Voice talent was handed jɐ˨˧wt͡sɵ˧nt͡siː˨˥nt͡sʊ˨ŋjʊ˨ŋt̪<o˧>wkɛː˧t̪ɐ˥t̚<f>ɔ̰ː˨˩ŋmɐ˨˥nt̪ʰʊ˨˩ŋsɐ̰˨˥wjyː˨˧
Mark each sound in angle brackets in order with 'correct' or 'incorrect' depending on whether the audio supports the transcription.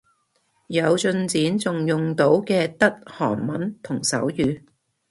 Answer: incorrect, incorrect

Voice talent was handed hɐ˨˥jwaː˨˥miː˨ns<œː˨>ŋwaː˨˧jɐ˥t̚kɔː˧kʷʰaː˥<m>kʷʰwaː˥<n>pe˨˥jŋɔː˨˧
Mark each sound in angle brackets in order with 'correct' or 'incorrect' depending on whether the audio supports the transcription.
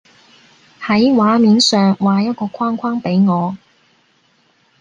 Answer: correct, incorrect, incorrect

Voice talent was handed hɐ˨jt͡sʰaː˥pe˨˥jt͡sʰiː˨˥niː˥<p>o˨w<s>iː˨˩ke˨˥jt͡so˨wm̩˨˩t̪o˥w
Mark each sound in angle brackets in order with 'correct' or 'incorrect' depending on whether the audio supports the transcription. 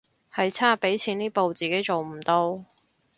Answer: correct, incorrect

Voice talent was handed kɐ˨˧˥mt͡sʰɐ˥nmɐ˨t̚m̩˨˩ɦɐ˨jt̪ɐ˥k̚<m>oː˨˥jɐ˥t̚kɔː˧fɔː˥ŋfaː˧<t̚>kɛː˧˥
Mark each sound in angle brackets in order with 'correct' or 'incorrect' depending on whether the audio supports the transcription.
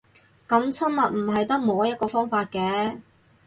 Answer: correct, correct

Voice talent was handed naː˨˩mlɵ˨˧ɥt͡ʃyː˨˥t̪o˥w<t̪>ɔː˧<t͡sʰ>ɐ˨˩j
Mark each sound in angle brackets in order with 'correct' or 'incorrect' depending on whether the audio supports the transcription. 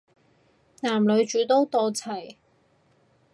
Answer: correct, correct

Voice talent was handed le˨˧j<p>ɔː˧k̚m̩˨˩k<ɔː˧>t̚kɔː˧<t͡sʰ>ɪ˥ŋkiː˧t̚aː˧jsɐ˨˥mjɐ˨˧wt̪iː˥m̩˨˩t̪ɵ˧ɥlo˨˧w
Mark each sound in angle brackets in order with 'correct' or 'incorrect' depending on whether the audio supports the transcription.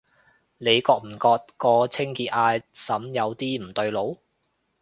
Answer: incorrect, correct, correct

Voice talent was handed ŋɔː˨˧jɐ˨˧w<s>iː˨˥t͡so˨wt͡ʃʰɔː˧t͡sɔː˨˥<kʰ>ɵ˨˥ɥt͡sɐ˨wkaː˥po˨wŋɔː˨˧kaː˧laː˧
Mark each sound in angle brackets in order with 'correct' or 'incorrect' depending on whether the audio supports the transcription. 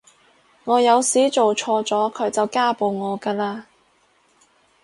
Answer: correct, correct

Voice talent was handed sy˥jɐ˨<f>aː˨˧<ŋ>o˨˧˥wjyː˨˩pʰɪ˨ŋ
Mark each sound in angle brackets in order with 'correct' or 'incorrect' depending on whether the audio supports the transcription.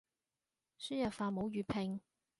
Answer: correct, incorrect

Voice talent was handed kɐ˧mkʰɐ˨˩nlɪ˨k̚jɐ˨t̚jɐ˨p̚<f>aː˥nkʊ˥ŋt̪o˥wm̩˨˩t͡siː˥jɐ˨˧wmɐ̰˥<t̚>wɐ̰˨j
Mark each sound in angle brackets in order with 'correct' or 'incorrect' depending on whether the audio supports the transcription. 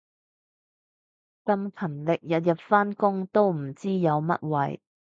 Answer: correct, correct

